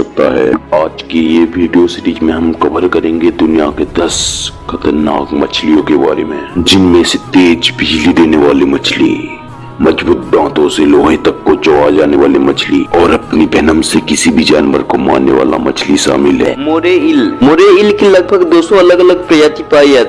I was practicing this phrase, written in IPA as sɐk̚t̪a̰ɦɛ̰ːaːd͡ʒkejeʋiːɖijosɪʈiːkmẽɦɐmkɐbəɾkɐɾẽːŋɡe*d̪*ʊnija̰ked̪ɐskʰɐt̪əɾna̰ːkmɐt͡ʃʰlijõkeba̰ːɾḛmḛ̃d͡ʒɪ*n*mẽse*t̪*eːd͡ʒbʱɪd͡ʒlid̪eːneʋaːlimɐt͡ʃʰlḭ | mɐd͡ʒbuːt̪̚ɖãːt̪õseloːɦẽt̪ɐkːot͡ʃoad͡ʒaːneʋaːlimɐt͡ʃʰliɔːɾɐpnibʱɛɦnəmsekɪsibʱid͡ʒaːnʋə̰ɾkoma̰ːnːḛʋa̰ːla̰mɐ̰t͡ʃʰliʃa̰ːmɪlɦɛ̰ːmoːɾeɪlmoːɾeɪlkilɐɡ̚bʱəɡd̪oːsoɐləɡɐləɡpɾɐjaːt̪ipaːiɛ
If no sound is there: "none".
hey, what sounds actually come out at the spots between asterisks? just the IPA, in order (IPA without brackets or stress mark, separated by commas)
d̪, n, t̪